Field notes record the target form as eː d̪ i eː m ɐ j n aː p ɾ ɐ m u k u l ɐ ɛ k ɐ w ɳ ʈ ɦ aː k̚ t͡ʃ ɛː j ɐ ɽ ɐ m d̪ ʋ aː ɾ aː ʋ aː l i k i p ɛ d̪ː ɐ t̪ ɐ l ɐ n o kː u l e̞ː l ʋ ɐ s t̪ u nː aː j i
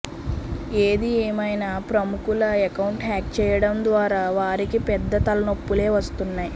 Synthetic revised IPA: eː d̪ i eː m ɐ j n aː p ɾ ɐ m u k u l ɐ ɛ k ɐ w ɳ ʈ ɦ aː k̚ t͡ʃ ɛː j ɐ ɽ ɐ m d̪ ʋ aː ɾ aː ʋ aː ɾ i k i p ɛ d̪ː ɐ t̪ ɐ l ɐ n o pː u l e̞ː ʋ ɐ s t̪ u nː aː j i